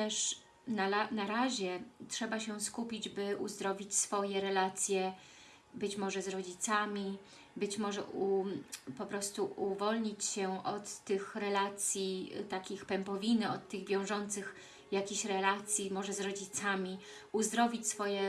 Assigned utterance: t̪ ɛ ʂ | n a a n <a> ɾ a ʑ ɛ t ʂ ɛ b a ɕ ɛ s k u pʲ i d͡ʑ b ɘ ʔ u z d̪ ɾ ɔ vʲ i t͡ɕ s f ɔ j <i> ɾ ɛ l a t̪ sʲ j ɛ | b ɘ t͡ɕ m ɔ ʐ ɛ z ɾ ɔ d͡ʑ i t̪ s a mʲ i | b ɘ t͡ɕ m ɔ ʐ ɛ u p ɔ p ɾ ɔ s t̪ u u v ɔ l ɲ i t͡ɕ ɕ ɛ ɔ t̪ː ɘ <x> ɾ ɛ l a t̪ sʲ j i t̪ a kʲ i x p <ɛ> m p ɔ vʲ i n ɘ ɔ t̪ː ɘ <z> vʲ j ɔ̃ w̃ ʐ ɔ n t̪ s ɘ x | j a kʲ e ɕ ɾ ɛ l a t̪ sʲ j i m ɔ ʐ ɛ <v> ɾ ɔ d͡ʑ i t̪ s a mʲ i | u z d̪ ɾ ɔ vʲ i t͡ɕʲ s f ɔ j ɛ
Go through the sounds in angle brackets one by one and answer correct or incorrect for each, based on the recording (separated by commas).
correct, incorrect, correct, correct, incorrect, incorrect